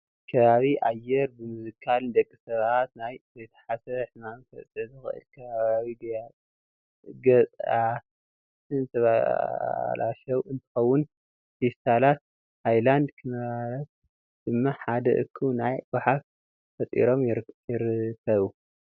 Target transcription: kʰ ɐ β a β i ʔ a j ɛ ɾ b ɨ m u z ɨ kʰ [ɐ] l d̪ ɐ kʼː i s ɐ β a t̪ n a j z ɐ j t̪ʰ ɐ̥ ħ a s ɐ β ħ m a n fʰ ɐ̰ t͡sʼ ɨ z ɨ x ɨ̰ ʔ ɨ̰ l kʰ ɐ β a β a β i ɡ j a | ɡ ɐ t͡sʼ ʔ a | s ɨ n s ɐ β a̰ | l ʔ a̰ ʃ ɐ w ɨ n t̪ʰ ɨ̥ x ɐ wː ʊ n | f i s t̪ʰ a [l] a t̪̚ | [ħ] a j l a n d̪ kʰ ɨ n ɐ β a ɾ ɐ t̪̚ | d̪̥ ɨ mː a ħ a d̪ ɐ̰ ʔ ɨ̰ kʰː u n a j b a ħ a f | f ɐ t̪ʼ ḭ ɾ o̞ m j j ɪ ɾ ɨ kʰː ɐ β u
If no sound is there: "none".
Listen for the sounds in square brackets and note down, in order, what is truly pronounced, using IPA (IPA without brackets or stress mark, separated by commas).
a, l, h